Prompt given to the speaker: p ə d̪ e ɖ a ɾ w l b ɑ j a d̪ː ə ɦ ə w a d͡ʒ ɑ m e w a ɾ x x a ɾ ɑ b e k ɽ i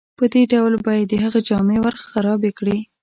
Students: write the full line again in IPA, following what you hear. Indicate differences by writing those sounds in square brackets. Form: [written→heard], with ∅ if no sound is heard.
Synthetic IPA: p ə d̪ e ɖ a [ɾ→∅] w l b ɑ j a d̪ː ə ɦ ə [w→ɣ] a d͡ʒ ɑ m e w a ɾ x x a ɾ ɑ b e k ɽ i